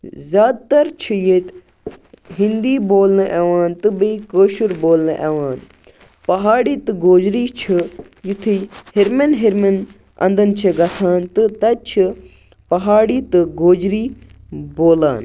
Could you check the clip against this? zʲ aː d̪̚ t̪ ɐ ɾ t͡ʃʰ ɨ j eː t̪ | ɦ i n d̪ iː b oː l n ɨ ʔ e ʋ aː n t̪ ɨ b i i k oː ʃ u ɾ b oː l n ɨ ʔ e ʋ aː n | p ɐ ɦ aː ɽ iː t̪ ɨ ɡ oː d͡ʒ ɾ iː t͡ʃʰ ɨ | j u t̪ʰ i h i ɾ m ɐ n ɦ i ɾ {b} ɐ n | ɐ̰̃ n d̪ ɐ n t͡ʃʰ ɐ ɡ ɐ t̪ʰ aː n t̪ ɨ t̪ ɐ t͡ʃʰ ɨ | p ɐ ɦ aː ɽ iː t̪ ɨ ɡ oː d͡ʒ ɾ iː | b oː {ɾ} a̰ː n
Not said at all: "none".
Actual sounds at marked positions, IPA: m, l

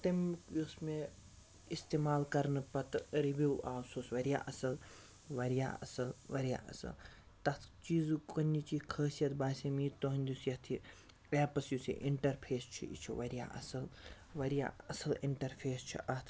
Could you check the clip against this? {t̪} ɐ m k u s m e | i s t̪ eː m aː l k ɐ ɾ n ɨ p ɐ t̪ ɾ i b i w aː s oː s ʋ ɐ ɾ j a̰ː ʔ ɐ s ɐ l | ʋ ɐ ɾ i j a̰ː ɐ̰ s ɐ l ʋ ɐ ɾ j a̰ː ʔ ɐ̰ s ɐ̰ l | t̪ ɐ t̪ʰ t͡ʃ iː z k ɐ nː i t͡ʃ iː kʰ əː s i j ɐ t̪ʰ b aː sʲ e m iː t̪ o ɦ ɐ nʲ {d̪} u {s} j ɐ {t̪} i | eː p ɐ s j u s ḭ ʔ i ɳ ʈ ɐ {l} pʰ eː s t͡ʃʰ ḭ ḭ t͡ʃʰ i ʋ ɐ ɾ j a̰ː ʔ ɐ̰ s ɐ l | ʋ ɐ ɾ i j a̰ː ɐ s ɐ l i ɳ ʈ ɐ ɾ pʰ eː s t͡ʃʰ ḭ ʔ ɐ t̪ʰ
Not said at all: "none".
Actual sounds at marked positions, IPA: t̪, d̪, s, t̪ʰ, ɾ

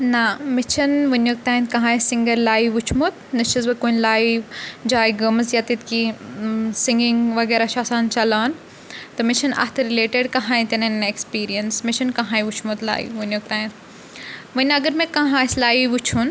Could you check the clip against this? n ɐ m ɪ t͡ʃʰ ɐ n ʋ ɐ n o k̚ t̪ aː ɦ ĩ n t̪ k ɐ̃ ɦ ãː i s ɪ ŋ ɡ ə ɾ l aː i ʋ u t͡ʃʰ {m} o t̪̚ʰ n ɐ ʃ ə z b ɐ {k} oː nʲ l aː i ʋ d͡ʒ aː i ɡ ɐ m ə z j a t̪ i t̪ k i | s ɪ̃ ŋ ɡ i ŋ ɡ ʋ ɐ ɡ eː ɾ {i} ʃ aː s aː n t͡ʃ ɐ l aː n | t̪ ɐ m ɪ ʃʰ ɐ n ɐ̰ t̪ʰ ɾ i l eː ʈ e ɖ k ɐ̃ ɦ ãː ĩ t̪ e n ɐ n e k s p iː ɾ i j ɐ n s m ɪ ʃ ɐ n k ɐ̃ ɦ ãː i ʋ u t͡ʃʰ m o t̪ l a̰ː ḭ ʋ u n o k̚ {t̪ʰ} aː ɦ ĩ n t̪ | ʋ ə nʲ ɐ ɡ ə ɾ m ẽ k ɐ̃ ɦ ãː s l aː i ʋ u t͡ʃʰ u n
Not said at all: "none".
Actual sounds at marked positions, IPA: m, k, a, t̪

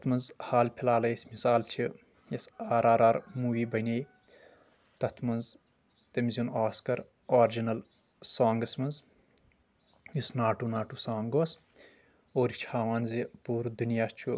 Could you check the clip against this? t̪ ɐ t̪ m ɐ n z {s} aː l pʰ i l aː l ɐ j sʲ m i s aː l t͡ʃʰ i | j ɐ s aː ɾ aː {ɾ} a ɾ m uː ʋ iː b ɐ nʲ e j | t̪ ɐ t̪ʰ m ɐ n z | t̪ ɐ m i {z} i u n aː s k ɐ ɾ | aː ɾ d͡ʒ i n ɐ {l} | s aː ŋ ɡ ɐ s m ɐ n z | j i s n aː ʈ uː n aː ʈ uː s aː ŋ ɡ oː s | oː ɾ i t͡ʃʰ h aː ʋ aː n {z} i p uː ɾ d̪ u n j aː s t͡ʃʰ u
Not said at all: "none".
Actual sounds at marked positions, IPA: h, ɾ, z, l, z

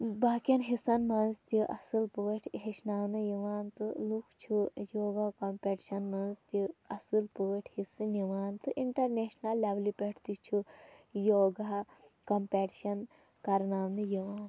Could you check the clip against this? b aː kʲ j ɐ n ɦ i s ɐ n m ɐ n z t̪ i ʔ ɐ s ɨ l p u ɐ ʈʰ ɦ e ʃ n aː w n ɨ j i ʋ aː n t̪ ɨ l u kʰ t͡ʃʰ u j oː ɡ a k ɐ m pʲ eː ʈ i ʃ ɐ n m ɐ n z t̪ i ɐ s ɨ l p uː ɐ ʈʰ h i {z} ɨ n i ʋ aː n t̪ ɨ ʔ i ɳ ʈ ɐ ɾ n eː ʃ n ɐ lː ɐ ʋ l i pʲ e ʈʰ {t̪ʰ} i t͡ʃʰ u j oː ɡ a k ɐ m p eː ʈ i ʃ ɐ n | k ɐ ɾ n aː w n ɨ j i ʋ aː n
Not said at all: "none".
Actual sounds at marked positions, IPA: s, t̪

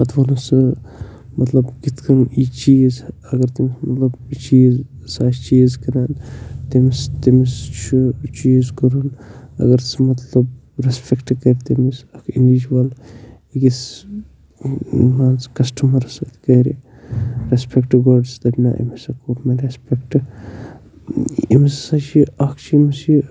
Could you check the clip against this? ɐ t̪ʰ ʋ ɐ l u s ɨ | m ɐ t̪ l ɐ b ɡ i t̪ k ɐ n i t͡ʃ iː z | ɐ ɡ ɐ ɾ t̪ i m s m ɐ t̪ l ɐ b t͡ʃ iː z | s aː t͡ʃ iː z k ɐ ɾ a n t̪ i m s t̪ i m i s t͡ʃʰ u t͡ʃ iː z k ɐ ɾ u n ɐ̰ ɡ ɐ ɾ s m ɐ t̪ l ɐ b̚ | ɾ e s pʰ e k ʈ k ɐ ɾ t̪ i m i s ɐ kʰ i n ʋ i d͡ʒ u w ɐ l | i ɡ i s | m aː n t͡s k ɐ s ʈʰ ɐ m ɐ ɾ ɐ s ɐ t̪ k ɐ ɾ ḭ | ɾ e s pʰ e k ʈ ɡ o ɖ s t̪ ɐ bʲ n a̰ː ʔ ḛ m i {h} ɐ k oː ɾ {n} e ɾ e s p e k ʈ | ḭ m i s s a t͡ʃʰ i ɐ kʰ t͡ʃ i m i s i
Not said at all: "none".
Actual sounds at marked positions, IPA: s, m

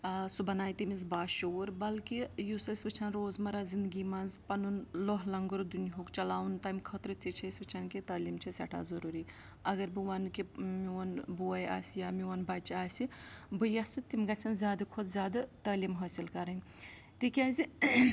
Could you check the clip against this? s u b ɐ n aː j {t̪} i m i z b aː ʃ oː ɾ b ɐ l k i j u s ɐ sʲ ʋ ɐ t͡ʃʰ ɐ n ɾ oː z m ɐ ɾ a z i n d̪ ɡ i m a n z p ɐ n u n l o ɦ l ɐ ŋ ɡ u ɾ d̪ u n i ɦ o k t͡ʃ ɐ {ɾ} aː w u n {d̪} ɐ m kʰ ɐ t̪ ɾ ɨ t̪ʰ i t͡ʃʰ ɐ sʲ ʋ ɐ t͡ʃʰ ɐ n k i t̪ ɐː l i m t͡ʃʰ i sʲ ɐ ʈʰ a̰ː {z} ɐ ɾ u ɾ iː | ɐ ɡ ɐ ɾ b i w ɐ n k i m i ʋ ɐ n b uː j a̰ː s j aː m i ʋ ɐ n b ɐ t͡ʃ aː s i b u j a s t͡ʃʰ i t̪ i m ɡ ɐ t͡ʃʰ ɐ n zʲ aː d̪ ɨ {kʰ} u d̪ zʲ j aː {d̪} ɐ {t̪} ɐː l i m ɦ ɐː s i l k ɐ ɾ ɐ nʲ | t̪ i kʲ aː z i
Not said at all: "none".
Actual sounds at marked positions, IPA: t̪, l, t̪, z, kʰ, d̪, t̪

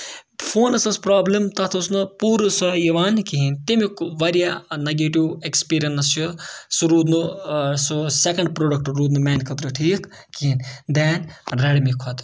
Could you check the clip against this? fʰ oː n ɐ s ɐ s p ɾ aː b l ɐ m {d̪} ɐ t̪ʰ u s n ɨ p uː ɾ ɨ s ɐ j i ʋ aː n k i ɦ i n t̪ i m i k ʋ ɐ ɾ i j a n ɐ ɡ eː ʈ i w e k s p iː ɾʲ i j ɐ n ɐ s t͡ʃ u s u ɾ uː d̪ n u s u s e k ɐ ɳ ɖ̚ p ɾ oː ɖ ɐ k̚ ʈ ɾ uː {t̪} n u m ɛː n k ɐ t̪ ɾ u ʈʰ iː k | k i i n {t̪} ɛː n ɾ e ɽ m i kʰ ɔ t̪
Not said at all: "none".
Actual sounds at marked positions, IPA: t̪, d̪, d̪

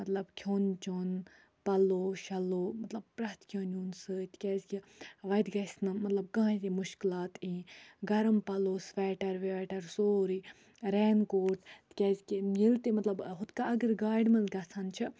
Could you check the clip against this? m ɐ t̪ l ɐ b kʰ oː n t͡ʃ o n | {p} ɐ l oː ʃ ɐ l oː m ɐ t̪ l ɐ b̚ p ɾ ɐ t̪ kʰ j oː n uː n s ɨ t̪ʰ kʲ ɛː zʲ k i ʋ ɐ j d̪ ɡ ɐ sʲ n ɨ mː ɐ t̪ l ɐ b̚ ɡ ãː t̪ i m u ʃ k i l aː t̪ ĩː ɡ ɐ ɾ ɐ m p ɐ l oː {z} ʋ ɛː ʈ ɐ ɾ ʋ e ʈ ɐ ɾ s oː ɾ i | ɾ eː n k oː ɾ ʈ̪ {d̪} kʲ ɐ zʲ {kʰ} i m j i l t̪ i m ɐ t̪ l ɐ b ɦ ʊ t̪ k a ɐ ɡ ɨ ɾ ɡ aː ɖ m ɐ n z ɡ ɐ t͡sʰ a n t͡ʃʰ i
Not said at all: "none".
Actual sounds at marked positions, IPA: p, s, t̪, k

